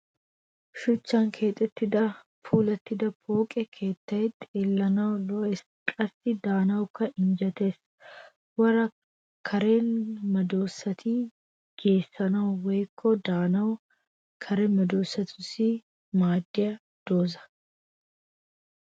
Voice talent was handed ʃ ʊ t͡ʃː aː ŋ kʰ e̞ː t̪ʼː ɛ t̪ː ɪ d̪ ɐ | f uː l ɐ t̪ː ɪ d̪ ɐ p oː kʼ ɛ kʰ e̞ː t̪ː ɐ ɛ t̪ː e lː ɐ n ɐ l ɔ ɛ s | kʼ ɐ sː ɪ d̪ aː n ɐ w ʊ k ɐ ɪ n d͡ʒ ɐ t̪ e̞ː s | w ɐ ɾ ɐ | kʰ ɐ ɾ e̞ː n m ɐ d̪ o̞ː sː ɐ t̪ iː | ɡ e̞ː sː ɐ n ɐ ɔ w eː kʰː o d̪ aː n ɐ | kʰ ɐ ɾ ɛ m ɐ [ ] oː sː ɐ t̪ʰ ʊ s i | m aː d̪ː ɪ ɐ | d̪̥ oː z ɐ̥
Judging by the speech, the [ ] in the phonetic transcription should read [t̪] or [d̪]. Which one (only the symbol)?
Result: d̪